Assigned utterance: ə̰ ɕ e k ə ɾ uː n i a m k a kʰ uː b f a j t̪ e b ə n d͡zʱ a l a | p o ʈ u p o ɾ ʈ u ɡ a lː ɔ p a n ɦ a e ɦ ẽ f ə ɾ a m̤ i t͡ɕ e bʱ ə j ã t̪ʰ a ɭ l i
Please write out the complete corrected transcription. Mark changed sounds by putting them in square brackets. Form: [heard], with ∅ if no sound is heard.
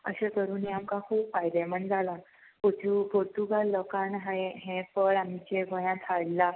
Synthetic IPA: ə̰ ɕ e k ə ɾ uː n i a m k a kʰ uː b f a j [d̪] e [m] ə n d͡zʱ a l a | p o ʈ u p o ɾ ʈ u ɡ a lː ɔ [k] a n ɦ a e ɦ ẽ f ə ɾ a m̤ i t͡ɕ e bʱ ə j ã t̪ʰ a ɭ l [a]